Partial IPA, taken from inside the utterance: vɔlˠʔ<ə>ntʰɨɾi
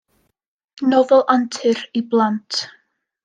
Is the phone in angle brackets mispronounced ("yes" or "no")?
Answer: yes